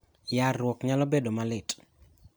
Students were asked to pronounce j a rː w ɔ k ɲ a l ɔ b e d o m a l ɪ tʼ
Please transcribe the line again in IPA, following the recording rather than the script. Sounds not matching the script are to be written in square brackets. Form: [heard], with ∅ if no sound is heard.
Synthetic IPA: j a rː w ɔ k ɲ a l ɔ b e d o m a l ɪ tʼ